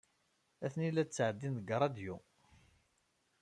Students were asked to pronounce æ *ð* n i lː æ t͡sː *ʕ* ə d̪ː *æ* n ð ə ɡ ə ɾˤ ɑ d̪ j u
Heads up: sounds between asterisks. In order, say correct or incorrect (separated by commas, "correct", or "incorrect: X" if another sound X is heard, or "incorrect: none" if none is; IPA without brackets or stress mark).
incorrect: θ, correct, incorrect: i